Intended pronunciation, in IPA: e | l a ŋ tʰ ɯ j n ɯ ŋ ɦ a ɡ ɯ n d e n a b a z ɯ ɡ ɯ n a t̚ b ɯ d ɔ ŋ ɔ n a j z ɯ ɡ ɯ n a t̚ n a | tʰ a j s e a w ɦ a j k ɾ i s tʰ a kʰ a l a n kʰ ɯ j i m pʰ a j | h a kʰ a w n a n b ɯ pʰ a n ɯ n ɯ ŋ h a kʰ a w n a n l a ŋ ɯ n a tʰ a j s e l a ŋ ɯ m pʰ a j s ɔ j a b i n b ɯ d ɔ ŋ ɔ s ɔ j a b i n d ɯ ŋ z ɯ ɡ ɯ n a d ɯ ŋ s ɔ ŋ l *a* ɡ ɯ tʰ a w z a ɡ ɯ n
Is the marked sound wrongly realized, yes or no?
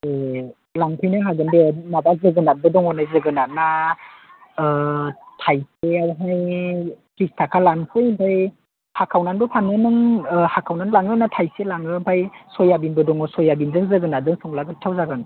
no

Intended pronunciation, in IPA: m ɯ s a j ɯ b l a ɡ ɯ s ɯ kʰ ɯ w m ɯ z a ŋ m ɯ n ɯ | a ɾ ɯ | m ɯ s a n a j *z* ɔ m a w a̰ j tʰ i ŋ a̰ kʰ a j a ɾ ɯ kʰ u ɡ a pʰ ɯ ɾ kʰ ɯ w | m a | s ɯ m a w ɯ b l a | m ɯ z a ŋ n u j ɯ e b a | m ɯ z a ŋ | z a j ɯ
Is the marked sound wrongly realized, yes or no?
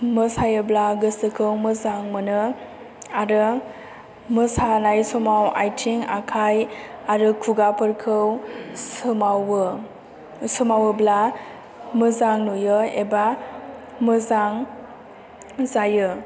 yes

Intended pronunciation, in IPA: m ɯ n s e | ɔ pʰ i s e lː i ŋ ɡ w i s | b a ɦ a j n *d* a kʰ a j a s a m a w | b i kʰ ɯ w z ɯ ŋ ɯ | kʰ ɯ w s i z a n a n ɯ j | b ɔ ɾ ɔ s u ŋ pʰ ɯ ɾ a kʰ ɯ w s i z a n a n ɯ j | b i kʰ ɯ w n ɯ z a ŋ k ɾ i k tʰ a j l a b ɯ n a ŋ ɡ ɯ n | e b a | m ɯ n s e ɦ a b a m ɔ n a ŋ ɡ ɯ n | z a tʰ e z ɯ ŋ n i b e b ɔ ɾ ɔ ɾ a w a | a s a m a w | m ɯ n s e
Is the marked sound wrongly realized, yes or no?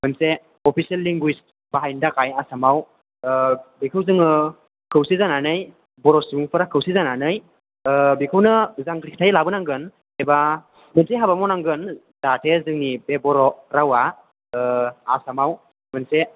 no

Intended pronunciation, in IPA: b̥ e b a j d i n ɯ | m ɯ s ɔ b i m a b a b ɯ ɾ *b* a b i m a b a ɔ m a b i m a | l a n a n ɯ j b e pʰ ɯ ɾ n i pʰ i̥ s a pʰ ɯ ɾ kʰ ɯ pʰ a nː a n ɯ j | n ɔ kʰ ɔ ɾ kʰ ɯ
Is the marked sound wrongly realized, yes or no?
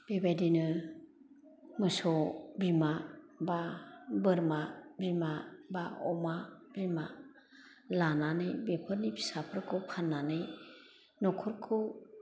yes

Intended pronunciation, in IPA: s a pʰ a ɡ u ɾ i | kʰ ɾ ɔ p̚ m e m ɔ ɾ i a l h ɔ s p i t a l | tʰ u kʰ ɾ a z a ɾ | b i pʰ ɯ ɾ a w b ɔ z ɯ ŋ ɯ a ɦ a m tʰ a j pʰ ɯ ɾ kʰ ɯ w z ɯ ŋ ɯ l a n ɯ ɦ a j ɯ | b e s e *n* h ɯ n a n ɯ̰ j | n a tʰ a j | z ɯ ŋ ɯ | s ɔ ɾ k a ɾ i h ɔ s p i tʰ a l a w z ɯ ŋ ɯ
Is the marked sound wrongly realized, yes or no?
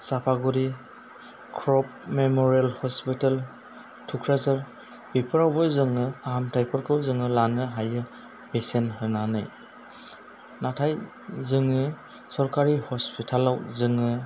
no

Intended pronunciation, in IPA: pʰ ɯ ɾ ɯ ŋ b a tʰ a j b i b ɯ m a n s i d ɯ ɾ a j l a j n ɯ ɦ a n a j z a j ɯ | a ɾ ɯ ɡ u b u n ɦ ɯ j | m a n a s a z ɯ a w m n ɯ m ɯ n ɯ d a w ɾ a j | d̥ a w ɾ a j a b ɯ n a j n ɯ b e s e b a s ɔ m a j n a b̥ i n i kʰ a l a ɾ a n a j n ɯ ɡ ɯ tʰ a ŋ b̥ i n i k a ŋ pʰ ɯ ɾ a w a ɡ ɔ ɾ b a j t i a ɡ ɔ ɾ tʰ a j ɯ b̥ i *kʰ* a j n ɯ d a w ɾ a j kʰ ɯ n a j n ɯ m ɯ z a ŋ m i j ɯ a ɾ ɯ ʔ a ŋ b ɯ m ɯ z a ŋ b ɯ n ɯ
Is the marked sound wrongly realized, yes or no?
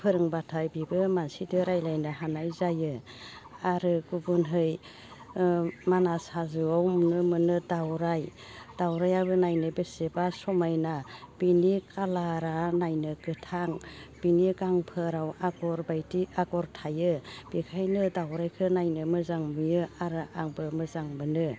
no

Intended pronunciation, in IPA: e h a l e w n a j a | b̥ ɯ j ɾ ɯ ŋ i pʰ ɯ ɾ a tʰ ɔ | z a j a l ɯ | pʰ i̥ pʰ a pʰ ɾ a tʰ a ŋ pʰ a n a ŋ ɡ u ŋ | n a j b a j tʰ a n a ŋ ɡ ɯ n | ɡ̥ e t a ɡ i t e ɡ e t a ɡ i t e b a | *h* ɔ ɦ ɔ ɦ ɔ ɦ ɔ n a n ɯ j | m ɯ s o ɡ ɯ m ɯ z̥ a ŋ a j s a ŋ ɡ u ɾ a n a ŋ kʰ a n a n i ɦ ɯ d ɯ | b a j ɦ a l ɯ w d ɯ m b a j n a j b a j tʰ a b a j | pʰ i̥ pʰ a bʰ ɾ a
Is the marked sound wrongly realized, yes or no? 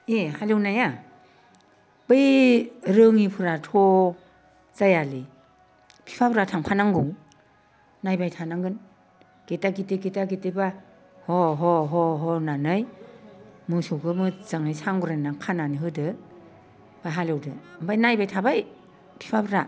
no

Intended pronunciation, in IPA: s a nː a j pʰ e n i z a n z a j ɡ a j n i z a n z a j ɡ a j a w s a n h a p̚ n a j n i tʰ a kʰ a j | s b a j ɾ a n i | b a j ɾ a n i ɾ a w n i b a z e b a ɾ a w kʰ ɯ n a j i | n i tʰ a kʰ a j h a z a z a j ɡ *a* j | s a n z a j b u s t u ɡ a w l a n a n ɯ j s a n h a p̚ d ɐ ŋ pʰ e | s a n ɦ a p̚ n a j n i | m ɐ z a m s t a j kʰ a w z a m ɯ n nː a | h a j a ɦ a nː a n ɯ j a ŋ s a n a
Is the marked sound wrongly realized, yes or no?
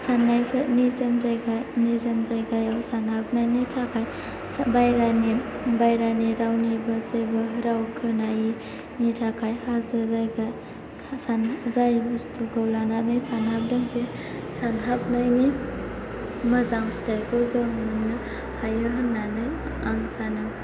no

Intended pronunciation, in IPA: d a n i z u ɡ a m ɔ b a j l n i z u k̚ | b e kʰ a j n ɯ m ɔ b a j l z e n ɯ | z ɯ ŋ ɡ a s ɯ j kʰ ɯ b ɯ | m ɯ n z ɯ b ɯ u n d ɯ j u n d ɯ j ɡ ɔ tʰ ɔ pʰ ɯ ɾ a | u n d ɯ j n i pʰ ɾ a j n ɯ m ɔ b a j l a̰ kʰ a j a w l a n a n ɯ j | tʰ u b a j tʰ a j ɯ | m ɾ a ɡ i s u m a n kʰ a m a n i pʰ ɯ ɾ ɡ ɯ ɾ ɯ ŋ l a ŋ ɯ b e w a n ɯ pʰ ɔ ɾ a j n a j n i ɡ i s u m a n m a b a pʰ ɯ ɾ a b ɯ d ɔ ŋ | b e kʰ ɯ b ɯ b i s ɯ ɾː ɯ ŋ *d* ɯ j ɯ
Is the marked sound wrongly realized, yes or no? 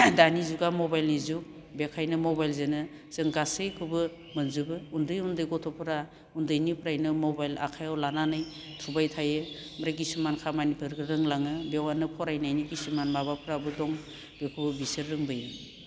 yes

